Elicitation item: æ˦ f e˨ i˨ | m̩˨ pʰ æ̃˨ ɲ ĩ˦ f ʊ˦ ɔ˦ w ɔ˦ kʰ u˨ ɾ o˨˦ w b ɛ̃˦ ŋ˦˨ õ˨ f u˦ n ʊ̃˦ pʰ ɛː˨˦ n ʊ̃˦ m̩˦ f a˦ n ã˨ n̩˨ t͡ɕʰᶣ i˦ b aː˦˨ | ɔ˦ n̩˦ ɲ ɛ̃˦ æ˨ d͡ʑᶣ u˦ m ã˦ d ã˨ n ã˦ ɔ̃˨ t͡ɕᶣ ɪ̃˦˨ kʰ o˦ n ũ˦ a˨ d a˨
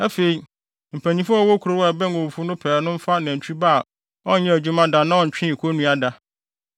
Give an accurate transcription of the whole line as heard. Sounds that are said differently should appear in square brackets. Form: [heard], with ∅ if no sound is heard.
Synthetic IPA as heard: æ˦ f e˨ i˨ | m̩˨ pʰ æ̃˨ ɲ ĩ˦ f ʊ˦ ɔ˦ w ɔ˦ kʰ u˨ ɾ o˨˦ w b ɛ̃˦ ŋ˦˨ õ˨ f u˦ n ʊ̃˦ pʰ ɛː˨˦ n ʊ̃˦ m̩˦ f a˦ n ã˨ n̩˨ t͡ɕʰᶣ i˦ b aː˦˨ | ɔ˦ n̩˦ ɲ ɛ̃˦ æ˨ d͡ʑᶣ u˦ m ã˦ d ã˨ n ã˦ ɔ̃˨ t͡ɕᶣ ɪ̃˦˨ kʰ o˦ n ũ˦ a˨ d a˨